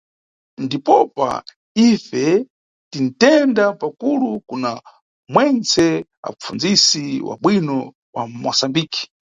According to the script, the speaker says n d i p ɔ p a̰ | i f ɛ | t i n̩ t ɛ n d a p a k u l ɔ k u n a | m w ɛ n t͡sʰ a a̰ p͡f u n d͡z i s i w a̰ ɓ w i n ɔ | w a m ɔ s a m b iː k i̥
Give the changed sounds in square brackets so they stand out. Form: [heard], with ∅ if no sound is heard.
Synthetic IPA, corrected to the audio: n d i p ɔ p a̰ | i f ɛ | t i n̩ t ɛ n d a p a k u l [u] k u n a | m w ɛ n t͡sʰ [ɛ] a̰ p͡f u n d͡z i s i w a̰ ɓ w i n ɔ | w a m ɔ s a m b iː k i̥